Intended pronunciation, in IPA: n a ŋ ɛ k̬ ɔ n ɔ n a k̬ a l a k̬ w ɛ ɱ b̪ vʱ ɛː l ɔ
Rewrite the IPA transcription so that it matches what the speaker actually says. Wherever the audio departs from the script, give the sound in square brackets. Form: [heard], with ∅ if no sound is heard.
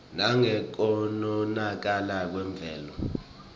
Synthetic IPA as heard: n a ŋ ɛ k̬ ɔ n ɔ n a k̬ a l a k̬ w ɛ ɱ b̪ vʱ ɛː l ɔ